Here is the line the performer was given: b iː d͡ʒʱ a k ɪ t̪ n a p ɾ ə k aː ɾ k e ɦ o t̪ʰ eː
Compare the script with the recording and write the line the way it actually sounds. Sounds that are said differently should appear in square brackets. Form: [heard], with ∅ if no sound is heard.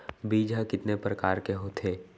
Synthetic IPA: b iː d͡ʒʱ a k ɪ t̪ n [e] p ɾ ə k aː ɾ k e ɦ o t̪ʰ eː